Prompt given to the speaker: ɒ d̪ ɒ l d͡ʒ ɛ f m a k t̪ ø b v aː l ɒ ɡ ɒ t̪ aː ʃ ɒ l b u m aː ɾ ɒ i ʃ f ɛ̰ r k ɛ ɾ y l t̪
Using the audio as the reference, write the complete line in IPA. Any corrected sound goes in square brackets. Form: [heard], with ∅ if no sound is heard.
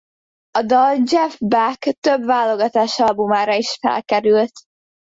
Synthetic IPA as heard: ɒ d̪ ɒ l d͡ʒ ɛ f [b] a k t̪ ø b v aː l [o] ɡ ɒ t̪ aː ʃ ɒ l b u m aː ɾ ɒ i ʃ f ɛ̰ [l] k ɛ ɾ y l t̪